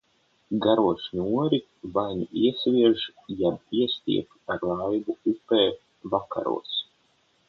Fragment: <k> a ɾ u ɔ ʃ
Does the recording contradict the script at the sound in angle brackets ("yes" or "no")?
yes